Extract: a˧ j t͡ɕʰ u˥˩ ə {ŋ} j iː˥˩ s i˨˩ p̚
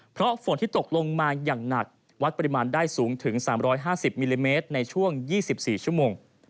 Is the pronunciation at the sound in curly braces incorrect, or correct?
correct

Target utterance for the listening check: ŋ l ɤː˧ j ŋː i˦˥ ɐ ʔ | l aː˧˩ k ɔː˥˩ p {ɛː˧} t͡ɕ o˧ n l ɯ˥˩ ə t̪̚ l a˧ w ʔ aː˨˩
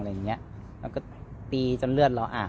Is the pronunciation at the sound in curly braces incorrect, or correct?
incorrect: iː˧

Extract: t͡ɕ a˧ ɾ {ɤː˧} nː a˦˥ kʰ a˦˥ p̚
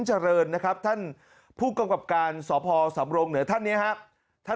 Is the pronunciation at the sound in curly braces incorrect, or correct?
correct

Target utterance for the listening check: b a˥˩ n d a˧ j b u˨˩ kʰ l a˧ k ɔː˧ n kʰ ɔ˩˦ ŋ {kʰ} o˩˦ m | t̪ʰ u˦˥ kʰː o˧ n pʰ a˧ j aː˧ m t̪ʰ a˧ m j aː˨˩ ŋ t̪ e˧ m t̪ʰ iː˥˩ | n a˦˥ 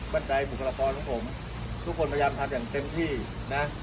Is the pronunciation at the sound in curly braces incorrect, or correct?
incorrect: pʰ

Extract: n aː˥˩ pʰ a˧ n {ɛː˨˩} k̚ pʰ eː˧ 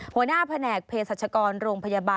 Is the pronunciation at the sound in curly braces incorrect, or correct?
correct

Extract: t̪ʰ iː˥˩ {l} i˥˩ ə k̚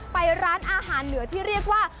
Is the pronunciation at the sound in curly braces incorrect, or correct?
incorrect: ɾ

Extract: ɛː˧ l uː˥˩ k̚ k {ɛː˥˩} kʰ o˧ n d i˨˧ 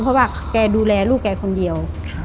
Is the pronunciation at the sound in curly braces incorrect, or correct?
incorrect: ɛː˧˩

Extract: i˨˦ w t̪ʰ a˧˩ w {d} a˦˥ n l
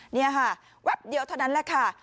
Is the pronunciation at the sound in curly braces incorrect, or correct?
incorrect: n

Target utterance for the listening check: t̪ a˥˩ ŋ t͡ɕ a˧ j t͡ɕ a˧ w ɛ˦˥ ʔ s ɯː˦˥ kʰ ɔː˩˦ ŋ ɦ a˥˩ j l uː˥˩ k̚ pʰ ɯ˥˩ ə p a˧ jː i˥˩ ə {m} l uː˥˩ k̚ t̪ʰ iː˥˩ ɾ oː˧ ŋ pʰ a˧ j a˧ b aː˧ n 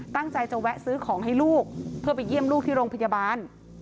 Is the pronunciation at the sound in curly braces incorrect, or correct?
correct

